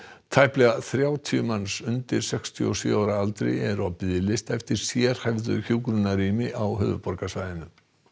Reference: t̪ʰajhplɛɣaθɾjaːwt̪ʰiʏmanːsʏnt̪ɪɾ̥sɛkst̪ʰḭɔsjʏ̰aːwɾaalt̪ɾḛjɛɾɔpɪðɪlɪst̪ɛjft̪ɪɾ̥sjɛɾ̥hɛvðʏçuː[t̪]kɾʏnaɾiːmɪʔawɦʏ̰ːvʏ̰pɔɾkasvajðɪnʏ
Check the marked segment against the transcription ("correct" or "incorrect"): incorrect